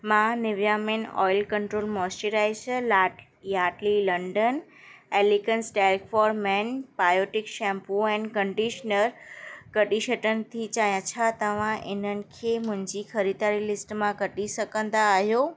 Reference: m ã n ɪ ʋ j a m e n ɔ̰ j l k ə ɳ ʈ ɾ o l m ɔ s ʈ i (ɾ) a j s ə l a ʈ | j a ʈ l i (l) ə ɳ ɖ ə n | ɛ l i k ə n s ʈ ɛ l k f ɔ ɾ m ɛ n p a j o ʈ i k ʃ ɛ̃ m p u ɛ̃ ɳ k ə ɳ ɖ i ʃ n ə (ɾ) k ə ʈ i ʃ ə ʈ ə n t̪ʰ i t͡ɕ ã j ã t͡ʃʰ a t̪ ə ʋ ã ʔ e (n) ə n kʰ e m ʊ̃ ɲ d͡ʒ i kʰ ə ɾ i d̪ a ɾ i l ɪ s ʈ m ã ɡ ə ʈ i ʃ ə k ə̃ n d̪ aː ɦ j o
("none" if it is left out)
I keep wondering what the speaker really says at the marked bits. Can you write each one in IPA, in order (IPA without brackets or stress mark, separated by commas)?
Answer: ɾ, l, ɾ, n